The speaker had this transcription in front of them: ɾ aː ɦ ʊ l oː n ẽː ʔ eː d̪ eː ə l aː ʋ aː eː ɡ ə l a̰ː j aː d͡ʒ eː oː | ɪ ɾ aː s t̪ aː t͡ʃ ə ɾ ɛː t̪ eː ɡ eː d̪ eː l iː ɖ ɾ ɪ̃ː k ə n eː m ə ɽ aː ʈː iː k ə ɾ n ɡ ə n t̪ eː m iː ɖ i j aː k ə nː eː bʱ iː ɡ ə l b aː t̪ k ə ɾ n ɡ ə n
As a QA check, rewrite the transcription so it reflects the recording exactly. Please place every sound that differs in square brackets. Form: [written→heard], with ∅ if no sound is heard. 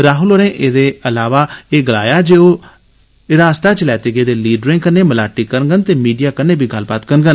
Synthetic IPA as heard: ɾ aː ɦ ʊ l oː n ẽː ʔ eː d̪ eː ə l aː ʋ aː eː ɡ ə l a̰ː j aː d͡ʒ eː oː | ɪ ɾ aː s t̪ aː t͡ʃ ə [ɾ→l] ɛː t̪ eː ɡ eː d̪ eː l iː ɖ ɾ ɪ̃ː k ə n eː m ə [ɽ→l] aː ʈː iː k ə ɾ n ɡ ə n t̪ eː m iː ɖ i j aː k ə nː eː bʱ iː ɡ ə l b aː t̪ k ə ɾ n ɡ ə n